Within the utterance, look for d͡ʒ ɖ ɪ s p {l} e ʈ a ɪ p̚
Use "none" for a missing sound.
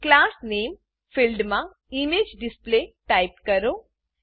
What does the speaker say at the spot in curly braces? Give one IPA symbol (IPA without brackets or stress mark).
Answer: l